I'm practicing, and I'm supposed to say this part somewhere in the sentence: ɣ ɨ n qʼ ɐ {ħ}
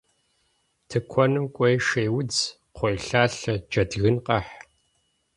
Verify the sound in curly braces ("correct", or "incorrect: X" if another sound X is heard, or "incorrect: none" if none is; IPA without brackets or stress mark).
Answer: correct